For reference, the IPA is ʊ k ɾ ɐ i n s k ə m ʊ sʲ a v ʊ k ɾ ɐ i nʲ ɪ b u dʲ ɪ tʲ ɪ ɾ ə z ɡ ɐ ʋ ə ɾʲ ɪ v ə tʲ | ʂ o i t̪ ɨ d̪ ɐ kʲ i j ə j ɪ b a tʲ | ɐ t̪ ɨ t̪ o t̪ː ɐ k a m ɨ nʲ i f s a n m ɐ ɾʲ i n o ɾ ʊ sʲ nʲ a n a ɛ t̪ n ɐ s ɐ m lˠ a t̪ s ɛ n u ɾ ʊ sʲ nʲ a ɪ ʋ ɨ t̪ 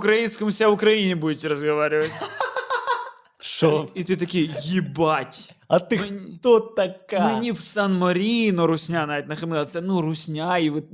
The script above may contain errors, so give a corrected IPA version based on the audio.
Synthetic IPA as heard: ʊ k ɾ ɐ i n s k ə m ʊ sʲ a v ʊ k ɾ ɐ i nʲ ɪ b u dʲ ɪ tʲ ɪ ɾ ə z ɡ ɐ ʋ a ɾʲ ɪ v ə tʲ | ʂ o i t̪ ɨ t̪ ɐ kʲ i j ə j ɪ b a tʲ | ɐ t̪ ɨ t̪ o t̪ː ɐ k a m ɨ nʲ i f s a n m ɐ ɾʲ i n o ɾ ʊ sʲ nʲ a n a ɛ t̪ n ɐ x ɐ m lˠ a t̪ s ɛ n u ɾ ʊ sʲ nʲ a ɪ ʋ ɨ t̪